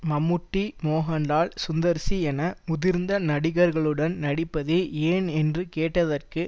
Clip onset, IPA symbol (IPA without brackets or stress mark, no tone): m